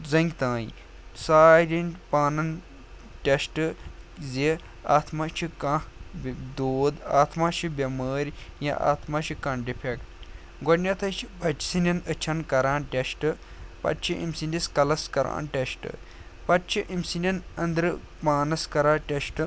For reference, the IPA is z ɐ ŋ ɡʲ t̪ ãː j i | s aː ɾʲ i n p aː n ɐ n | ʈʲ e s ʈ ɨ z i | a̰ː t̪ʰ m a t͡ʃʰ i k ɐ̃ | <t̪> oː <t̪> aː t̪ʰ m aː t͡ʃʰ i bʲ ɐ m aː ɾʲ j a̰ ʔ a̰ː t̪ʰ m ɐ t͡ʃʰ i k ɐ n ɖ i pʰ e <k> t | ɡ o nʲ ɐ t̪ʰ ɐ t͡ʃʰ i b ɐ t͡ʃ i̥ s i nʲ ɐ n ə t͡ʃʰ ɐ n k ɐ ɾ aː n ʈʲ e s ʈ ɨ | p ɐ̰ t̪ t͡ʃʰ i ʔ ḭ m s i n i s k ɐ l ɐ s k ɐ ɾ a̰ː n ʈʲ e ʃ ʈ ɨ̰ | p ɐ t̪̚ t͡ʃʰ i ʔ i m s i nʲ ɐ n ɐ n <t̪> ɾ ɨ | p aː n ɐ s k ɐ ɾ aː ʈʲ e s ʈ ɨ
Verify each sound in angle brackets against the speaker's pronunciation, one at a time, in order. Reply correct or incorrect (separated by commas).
incorrect, incorrect, correct, incorrect